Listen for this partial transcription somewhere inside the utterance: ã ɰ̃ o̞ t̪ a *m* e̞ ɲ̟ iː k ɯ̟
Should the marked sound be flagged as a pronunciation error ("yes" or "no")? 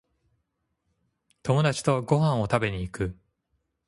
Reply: yes